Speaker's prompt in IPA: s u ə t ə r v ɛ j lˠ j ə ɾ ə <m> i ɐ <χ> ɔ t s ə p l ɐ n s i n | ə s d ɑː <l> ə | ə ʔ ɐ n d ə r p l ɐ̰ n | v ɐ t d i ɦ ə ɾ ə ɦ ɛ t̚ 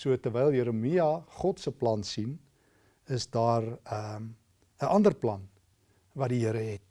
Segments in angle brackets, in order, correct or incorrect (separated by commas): correct, correct, incorrect